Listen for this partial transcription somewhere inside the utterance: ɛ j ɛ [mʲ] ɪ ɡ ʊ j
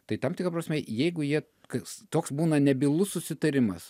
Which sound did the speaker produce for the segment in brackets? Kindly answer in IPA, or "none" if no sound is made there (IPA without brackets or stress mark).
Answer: none